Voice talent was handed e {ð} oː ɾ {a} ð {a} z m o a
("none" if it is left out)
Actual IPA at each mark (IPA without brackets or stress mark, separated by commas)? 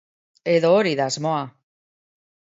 ð, i, a